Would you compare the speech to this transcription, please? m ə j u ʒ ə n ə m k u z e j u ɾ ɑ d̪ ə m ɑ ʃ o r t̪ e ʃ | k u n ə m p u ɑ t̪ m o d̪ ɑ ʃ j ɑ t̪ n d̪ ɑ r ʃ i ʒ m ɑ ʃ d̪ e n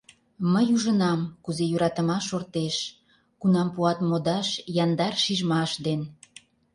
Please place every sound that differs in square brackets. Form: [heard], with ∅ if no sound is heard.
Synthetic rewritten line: m ə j u ʒ ə n [ɑ] m k u z e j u ɾ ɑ [t̪] ə m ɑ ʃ o r t̪ e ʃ | k u n [ɑ] m p u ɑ t̪ m o d̪ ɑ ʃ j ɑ [∅] n d̪ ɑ r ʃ i ʒ m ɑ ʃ d̪ e n